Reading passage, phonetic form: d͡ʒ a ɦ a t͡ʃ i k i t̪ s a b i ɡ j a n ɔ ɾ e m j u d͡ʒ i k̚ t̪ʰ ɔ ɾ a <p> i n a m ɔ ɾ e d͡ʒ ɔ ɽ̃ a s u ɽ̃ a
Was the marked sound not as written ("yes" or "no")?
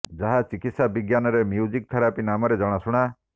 no